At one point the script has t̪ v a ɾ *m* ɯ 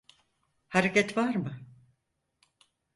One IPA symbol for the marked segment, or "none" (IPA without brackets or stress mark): m